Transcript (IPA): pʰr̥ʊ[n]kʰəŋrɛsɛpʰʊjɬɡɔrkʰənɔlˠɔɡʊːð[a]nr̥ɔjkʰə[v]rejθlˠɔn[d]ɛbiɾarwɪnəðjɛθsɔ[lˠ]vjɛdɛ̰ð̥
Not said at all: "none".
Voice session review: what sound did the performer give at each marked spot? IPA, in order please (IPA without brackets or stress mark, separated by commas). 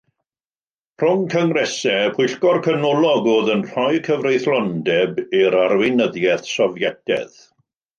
ŋ, ə, v, d, none